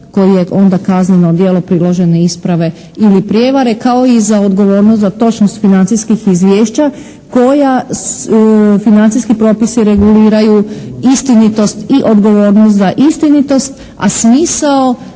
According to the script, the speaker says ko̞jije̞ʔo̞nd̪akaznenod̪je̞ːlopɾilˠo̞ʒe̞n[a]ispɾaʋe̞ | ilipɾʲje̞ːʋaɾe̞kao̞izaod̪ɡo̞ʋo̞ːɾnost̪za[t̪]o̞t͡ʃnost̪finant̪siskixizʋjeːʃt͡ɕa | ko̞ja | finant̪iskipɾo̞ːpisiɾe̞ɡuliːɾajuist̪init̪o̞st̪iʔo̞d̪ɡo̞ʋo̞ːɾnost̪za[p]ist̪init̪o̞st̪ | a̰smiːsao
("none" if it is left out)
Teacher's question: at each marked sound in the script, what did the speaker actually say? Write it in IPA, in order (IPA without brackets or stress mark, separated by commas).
e, t̪, ʔ